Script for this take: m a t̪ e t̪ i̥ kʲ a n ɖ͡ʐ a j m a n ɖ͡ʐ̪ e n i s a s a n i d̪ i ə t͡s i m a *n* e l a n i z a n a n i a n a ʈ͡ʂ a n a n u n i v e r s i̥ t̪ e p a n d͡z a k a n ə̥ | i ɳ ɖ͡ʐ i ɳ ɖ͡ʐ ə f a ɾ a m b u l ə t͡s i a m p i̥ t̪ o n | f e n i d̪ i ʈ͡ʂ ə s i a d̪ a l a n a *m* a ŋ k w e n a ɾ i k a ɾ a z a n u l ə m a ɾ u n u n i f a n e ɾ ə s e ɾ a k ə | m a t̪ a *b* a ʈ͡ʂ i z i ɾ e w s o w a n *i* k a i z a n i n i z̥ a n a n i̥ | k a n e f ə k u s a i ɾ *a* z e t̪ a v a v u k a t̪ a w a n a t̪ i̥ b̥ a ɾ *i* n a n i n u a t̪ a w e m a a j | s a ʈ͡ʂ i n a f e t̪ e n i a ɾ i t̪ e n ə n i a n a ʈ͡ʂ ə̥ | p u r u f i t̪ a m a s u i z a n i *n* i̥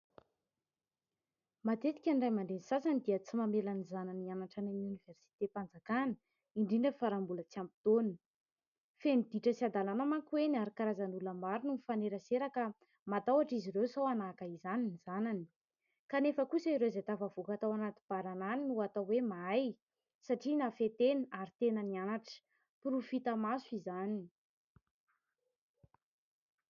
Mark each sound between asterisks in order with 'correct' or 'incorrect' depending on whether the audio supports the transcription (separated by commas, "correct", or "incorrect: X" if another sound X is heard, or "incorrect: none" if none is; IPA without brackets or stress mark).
incorrect: m, correct, incorrect: w, incorrect: a, incorrect: e, incorrect: a, correct